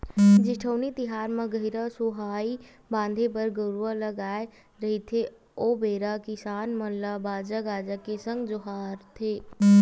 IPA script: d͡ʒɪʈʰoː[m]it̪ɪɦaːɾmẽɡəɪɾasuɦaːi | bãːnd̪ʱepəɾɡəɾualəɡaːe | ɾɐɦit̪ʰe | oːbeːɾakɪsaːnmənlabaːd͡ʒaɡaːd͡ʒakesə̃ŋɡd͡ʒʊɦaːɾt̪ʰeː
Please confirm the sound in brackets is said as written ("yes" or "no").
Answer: no